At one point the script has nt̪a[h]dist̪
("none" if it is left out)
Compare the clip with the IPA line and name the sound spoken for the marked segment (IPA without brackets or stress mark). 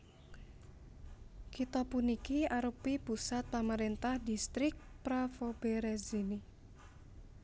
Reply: h